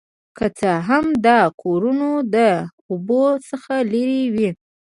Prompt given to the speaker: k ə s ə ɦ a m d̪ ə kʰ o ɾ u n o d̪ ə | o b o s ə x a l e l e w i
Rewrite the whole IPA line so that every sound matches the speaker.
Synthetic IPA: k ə t͡s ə ɦ a m d̪ ɑ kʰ o ɾ u n o d̪ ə | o b o s ə x a l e ɾ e w i